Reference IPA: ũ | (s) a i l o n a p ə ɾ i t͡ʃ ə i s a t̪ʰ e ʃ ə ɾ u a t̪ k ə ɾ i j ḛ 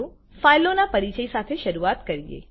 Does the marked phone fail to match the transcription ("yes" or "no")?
yes